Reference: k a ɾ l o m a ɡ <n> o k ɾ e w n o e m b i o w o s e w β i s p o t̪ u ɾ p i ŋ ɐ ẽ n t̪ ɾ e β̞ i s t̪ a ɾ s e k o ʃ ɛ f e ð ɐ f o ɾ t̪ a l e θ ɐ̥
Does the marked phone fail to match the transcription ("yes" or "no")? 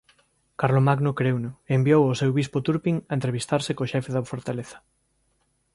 no